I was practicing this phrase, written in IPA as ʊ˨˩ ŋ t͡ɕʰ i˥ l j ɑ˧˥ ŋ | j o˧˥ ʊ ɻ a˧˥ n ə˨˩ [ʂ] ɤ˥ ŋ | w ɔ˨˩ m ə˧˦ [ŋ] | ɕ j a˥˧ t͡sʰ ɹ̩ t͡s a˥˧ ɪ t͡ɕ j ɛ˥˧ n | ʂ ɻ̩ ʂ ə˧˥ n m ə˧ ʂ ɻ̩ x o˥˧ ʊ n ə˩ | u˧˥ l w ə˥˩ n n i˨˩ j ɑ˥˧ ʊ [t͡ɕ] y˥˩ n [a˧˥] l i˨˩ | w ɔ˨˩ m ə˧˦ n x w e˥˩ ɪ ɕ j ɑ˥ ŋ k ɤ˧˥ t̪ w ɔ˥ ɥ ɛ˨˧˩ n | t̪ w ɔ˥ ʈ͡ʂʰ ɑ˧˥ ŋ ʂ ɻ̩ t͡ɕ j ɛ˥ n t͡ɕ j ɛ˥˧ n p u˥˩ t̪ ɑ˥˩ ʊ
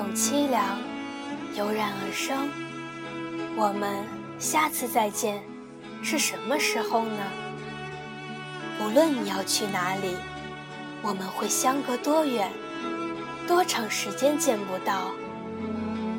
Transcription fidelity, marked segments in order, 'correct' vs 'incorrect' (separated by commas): correct, incorrect, incorrect, correct